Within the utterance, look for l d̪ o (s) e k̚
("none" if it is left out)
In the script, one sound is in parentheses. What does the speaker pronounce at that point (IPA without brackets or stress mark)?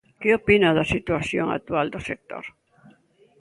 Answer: s